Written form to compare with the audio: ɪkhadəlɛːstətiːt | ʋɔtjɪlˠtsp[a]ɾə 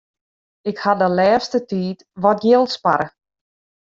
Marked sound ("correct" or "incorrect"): correct